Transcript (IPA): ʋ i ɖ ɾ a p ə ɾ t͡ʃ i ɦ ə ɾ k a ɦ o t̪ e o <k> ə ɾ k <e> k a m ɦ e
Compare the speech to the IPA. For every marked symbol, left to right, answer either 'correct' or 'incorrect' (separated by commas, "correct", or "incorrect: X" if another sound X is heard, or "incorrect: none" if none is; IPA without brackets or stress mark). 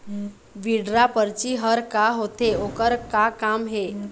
correct, incorrect: a